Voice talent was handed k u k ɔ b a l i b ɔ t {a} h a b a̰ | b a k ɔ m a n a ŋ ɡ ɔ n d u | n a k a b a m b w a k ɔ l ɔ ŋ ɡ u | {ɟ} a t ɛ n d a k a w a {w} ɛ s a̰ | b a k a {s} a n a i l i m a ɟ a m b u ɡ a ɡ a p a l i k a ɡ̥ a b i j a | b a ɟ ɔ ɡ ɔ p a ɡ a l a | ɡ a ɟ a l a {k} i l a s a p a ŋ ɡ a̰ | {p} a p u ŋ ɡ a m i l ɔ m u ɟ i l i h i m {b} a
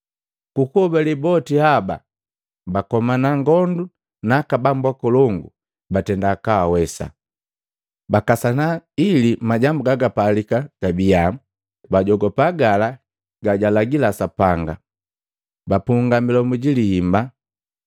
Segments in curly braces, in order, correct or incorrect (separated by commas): incorrect, incorrect, correct, correct, incorrect, incorrect, correct